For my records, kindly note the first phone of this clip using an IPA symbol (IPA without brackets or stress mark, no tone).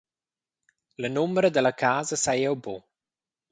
l